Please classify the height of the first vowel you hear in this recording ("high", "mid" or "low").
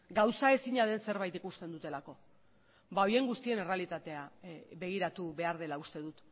low